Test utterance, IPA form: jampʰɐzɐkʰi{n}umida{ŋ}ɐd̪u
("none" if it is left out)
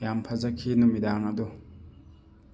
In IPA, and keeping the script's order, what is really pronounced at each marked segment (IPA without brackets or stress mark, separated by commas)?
n, ŋ